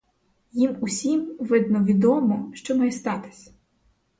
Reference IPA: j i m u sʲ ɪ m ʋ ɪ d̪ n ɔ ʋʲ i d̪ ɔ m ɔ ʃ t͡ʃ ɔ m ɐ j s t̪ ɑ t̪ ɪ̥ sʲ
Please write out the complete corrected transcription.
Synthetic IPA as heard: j i m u sʲ i m ʋ ɪ d̪ n ɔ ʋʲ i d̪ ɔ m ɔ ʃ t͡ʃ ɔ m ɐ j s t̪ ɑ t̪ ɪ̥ sʲ

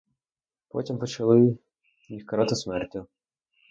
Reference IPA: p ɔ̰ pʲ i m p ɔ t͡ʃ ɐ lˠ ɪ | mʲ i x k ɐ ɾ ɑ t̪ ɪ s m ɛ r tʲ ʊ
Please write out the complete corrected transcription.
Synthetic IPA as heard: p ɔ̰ tʲ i m p ɔ t͡ʃ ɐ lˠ ɪ | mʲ i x k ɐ ɾ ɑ t̪ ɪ s m ɛ r tʲ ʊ

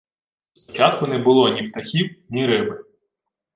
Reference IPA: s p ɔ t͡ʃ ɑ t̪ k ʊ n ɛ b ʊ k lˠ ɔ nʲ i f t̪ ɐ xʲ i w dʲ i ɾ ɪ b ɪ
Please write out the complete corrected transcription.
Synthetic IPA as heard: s p ɔ t͡ʃ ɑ t̪ k ʊ n ɛ b ʊ lˠ ɔ nʲ i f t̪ ɐ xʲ i w nʲ i ɾ ɪ b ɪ

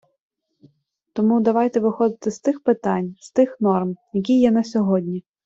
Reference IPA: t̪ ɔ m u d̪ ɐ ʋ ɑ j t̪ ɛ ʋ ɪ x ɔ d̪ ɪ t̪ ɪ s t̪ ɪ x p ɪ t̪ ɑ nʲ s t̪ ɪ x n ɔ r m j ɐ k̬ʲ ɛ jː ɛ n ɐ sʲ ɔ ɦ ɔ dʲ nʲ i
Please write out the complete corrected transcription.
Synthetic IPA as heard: t̪ ɔ m u d̪ ɐ ʋ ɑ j t̪ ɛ ʋ ɪ x ɔ d̪ ɪ t̪ ɪ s t̪ ɪ x p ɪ t̪ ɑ nʲ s t̪ ɪ x n ɔ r m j ɐ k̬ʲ i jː ɛ n ɐ sʲ ɔ ɦ ɔ dʲ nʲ i

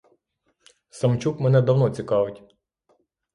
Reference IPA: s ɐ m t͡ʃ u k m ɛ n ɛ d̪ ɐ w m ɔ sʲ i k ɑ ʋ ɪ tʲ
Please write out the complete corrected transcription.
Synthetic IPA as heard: s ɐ m t͡ʃ u k m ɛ n ɛ d̪ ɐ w n ɔ t͡sʲ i k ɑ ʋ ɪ tʲ

